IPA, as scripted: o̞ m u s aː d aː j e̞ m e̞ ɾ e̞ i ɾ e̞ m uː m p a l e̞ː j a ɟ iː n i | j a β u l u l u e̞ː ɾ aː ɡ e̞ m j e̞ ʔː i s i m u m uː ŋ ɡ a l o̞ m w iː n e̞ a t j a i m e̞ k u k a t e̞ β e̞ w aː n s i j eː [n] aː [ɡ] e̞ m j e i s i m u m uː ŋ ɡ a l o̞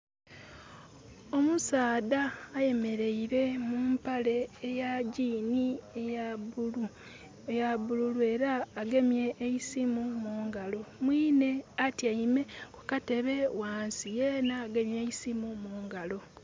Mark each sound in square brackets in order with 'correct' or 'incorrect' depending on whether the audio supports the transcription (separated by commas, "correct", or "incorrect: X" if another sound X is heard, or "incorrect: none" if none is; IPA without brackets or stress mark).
correct, correct